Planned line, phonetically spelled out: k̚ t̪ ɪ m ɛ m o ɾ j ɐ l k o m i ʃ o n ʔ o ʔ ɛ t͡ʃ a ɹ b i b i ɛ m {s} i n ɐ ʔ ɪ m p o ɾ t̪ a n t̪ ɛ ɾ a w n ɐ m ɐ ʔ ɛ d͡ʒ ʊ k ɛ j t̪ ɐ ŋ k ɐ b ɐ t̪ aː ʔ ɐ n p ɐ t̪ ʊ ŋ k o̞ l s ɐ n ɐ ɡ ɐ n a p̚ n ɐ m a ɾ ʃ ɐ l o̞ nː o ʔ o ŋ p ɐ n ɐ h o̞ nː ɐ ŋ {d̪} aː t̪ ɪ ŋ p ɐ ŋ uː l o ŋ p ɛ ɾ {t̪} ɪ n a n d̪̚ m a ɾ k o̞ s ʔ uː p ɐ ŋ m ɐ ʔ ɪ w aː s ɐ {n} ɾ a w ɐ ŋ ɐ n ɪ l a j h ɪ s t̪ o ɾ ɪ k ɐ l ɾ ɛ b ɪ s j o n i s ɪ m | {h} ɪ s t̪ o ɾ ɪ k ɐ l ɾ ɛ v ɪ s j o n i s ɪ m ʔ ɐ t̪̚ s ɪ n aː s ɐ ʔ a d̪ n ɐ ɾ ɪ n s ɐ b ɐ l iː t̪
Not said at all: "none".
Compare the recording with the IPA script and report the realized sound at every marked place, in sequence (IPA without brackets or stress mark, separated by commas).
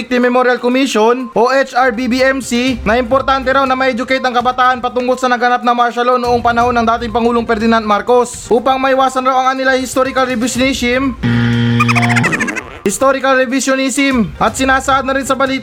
s, d̪, d̪, n, h